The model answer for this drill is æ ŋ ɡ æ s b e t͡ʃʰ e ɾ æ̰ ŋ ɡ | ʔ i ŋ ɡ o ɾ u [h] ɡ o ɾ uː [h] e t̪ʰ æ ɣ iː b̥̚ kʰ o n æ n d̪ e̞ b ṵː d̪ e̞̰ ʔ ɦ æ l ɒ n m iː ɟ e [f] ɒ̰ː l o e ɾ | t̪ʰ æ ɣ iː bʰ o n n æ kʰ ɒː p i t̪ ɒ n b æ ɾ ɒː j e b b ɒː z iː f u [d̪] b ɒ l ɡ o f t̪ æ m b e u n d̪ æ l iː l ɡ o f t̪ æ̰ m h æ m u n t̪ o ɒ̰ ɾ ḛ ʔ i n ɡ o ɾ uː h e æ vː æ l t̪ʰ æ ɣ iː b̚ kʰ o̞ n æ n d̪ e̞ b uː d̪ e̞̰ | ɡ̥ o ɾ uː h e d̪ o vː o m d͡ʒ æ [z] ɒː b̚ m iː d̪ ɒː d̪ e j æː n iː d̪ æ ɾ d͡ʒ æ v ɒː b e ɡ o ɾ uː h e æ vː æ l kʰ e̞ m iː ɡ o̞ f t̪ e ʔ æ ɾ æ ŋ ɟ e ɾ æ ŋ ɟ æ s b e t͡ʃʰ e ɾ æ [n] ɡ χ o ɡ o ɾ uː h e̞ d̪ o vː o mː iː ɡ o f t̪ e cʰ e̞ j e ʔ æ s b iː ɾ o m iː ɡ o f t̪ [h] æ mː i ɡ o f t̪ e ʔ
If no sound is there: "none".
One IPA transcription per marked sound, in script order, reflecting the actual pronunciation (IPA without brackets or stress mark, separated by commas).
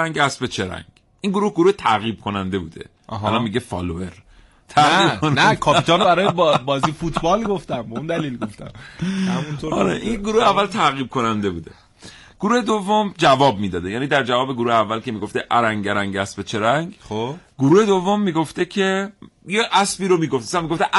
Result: h, h, f, t̪, v, ŋ, s